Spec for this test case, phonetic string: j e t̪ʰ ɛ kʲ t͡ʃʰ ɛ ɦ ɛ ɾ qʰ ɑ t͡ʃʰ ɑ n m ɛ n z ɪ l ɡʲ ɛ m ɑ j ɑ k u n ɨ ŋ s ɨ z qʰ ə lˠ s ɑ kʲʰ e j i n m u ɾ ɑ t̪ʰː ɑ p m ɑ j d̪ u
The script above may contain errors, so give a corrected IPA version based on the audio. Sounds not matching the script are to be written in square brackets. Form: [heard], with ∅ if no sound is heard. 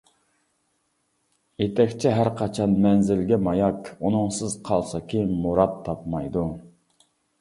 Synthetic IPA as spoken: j e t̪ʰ ɛ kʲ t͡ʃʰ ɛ ɦ [æ] ɾ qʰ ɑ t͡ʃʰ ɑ n m ɛ n z ɪ l ɡʲ ɛ m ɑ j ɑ k u n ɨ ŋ s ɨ z qʰ [ɑ] lˠ s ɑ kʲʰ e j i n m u ɾ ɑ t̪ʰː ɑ p m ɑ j d̪ u